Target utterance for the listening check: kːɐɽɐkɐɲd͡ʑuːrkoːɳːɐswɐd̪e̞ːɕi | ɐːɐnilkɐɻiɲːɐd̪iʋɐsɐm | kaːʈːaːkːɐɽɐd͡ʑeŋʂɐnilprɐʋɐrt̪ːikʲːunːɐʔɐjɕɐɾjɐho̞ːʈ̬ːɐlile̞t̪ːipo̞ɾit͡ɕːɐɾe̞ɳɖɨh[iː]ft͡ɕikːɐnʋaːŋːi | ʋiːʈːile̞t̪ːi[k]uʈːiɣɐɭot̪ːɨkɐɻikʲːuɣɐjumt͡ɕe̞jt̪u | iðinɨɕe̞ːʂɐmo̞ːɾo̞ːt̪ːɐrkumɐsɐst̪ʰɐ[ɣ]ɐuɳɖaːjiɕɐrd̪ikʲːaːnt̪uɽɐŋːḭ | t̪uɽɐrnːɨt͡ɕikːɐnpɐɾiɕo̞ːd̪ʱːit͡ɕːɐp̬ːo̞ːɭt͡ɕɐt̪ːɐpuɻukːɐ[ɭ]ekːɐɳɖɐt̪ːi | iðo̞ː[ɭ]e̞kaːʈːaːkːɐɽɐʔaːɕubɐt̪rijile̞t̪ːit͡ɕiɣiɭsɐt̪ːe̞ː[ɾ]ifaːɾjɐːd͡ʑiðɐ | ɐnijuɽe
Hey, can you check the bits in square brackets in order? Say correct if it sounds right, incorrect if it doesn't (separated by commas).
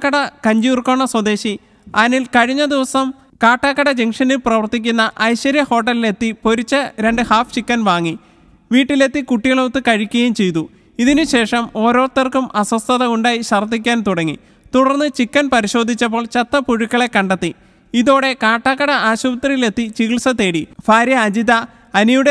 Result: incorrect, correct, incorrect, correct, incorrect, incorrect